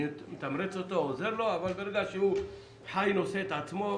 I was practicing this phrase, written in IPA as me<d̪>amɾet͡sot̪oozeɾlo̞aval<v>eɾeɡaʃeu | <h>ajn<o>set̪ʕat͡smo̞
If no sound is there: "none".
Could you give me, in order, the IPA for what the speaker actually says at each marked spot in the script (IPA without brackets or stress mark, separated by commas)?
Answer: t̪, b, ħ, o